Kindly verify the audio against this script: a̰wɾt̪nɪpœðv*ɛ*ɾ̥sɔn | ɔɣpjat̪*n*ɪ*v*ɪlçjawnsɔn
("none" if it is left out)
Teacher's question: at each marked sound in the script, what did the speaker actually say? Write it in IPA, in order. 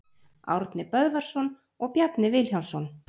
a, n, v

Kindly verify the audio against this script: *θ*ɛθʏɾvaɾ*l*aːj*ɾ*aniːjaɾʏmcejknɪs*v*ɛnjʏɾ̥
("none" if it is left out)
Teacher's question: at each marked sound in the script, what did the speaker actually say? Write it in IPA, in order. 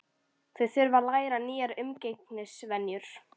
θ, l, ɾ, v

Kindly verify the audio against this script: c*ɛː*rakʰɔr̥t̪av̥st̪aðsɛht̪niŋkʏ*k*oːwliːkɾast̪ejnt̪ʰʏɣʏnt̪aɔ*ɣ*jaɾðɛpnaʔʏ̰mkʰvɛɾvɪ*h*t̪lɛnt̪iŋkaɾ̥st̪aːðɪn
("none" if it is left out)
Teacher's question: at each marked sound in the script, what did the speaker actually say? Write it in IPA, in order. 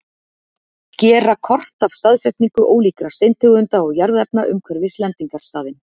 ɛː, ʔ, ɣ, s

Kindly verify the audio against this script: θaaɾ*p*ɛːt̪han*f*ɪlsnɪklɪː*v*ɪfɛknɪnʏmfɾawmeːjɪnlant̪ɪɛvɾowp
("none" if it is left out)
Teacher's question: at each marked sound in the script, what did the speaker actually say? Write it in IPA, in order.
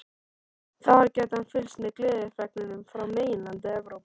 c, f, ð

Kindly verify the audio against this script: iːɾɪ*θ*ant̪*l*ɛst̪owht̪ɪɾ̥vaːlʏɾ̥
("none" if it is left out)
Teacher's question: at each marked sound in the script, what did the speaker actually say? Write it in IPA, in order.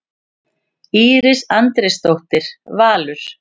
s, ɾ

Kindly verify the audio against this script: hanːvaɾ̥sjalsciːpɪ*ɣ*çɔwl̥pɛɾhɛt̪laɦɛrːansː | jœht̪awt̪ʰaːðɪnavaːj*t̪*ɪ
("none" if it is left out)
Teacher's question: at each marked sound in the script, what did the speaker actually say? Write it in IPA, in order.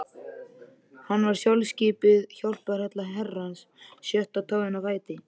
ð, t̪

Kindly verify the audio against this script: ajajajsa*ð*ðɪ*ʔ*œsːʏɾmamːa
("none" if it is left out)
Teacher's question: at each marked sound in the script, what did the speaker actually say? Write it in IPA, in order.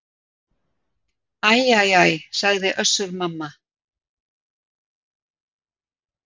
ɣ, ʔ

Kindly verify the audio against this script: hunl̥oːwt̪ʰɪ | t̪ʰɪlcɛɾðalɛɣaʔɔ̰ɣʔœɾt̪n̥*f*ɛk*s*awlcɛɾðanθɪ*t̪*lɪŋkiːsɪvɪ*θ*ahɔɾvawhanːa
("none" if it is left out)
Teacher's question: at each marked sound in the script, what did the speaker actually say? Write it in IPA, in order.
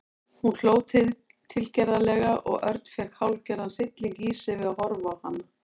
f, h, t̪, ð

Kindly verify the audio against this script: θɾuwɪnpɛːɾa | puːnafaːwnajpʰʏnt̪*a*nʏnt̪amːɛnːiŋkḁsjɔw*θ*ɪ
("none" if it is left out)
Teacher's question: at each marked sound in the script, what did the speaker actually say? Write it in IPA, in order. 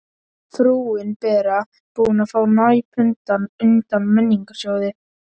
a, ð

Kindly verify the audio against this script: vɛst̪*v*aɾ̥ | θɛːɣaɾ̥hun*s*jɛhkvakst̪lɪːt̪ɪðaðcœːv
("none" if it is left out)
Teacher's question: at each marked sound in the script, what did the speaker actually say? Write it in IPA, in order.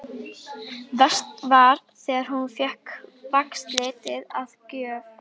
v, f

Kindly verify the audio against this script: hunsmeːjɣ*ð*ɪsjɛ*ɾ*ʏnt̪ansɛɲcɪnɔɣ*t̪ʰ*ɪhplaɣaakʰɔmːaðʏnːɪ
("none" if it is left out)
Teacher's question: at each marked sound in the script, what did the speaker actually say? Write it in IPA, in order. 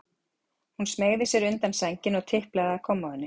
ð, ɾ, t̪ʰ

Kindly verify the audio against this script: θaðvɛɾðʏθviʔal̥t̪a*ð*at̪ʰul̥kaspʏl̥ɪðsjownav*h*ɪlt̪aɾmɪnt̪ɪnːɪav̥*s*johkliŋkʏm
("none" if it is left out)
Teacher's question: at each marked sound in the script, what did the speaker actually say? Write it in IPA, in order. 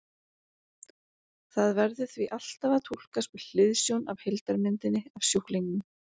v, h, s

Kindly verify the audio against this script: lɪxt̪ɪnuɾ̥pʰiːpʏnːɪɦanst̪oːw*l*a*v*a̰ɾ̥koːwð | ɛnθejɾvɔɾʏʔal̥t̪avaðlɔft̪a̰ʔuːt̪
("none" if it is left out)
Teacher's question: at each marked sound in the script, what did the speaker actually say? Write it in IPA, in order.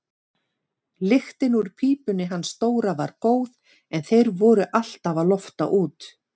ɾ, v

